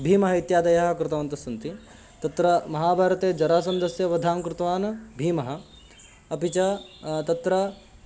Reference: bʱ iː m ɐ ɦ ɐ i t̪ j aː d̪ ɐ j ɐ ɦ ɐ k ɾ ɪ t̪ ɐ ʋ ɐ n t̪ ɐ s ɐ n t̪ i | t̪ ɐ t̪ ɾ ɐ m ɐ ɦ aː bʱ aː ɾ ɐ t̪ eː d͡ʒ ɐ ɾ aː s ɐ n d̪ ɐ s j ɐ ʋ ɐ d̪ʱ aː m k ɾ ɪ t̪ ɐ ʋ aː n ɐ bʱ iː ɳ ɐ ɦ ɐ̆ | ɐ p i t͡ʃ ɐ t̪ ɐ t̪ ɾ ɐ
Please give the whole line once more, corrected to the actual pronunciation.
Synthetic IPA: bʱ iː m ɐ ɦ ɐ i t̪ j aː d̪ ɐ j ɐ ɦ ɐ k ɾ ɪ t̪ ɐ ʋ ɐ n t̪ ɐ s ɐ n t̪ i | t̪ ɐ t̪ ɾ ɐ m ɐ ɦ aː bʱ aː ɾ ɐ t̪ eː d͡ʒ ɐ ɾ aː s ɐ n d̪ ɐ s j ɐ ʋ ɐ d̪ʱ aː m k ɾ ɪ t̪ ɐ ʋ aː n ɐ bʱ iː m ɐ ɦ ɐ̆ | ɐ p i t͡ʃ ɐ t̪ ɐ t̪ ɾ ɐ

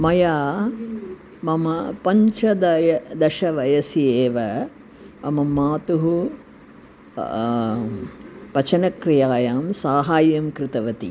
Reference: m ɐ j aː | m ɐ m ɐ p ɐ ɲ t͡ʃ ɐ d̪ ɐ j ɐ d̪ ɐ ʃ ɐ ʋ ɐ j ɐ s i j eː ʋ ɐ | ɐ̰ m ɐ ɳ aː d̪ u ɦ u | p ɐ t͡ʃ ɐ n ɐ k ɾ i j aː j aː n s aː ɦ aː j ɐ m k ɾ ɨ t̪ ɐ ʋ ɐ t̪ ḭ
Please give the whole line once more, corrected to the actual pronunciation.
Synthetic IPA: m ɐ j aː | m ɐ m ɐ p ɐ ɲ t͡ʃ ɐ d̪ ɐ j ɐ d̪ ɐ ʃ ɐ ʋ ɐ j ɐ s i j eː ʋ ɐ | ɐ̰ m ɐ m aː t̪ u ɦ u | p ɐ t͡ʃ ɐ n ɐ k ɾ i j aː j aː m s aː ɦ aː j ɐ m k ɾ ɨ t̪ ɐ ʋ ɐ t̪ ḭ

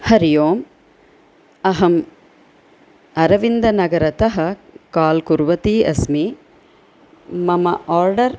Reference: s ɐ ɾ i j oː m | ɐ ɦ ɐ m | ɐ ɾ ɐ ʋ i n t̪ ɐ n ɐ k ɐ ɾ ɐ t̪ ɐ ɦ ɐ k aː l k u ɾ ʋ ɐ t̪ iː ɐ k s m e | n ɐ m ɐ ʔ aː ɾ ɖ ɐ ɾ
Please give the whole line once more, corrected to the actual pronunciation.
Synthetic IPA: h ɐ ɾ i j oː m | ɐ ɦ ɐ m | ɐ ɾ ɐ ʋ i n d̪ ɐ n ɐ ɡ ɐ ɾ ɐ t̪ ɐ ɦ ɐ k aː l k u ɾ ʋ ɐ t̪ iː ɐ s m i | m ɐ m ɐ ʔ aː ɾ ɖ ɐ ɾ

